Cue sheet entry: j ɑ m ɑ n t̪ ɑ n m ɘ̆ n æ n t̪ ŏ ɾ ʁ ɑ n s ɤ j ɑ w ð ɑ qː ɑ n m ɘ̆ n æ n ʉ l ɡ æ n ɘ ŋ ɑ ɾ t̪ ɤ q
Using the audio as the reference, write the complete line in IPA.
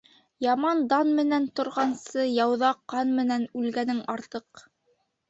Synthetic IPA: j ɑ m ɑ n d̪ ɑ n m ɘ̆ n æ n t̪ ŏ ɾ ʁ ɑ n s ɤ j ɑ w ð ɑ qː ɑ n m ɘ̆ n æ n ʉ l ɡ æ n ɘ ŋ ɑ ɾ t̪ ɤ q